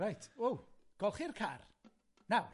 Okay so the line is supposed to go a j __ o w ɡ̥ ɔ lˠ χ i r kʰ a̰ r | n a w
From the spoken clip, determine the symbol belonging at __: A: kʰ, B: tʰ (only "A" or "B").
B